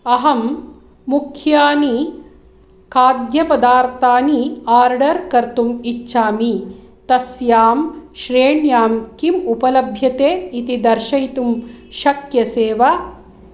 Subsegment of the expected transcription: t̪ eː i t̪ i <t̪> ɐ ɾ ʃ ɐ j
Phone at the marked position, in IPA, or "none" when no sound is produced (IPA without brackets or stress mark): d̪